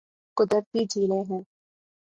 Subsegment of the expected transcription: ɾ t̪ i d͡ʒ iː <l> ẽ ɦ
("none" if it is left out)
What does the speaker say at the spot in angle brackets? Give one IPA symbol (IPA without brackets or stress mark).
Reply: l